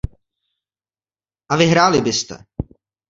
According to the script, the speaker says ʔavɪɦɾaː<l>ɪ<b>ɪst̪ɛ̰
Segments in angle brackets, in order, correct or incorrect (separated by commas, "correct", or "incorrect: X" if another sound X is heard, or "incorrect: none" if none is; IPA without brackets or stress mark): correct, correct